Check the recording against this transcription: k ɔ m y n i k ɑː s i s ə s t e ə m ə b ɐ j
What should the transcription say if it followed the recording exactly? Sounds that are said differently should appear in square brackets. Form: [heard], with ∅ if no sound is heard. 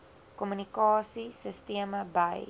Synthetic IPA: k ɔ m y n i k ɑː s i s ə s t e ə m ə b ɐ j